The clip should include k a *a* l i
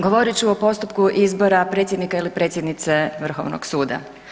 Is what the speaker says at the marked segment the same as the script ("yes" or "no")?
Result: no